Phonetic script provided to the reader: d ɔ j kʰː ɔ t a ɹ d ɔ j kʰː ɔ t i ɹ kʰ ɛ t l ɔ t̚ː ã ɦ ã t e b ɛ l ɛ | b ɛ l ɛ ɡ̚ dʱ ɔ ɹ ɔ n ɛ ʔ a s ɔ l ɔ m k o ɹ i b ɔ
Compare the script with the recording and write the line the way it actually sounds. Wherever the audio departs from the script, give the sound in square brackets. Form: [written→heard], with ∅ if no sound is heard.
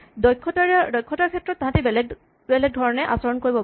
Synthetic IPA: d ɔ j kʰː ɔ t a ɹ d ɔ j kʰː ɔ t [i→a] ɹ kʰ ɛ t [l→ɹ] ɔ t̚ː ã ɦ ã t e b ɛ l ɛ | b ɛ l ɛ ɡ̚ dʱ ɔ ɹ ɔ n ɛ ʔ a s ɔ [l→ɹ] ɔ [m→n] k o ɹ i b ɔ